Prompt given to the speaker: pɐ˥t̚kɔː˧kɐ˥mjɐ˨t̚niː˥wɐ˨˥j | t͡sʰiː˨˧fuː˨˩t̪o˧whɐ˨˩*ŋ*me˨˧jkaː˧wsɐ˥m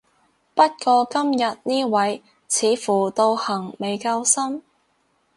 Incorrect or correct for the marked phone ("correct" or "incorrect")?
correct